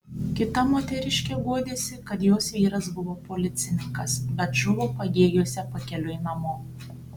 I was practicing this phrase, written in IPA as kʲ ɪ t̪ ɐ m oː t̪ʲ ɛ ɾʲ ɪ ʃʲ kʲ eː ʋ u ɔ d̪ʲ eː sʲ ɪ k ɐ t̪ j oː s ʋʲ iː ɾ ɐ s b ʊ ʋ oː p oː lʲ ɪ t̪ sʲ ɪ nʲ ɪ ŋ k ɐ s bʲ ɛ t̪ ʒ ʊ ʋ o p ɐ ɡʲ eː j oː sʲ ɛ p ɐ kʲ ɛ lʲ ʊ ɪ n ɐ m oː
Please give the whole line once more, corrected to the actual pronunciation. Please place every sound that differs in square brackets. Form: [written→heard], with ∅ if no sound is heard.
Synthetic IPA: kʲ ɪ t̪ ɐ m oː t̪ʲ ɛ ɾʲ ɪ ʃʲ kʲ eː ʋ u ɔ d̪ʲ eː sʲ ɪ k ɐ t̪ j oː s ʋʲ iː ɾ ɐ s b ʊ ʋ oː p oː lʲ ɪ t̪ sʲ ɪ nʲ ɪ ŋ k ɐ s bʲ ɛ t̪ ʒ ʊ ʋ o p ɐ ɡʲ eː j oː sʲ ɛ p ɐ kʲ ɛ lʲ ʊ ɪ n ɐ m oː